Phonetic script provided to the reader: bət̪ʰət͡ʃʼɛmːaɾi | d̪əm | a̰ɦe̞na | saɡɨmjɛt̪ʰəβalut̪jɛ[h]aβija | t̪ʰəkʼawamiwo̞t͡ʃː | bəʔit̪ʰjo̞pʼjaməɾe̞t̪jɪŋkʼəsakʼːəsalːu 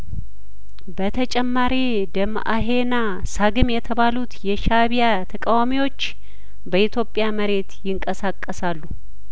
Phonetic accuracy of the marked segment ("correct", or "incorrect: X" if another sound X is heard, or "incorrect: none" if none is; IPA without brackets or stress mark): incorrect: ʃ